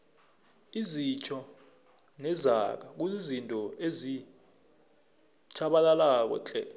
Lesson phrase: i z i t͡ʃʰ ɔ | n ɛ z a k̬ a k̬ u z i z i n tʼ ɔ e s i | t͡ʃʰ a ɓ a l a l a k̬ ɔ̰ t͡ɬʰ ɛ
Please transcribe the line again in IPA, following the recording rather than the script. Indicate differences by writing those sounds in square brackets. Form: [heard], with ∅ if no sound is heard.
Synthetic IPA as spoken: i z i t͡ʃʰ ɔ | n ɛ z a k̬ a k̬ u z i z i n tʼ ɔ e [z] i | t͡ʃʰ a ɓ a l a l a k̬ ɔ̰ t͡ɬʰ ɛ